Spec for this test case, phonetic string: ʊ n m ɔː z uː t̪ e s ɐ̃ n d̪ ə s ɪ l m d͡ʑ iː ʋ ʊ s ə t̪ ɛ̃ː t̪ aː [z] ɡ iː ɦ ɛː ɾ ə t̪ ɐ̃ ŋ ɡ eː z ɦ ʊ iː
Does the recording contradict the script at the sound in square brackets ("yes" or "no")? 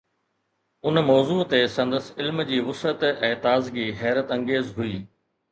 no